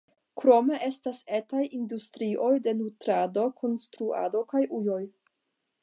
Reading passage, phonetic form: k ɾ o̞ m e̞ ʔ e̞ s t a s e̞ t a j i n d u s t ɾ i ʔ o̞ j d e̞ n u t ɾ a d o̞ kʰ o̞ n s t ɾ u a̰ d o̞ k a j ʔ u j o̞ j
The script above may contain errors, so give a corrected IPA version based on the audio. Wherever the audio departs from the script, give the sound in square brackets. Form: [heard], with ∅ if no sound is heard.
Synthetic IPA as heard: k ɾ o̞ m e̞ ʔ e̞ s t a s e̞ t a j i n d u s t ɾ i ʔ o̞ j d e̞ n u t ɾ a d o̞ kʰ o̞ n s t ɾ u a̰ d o̞ k a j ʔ u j o̞ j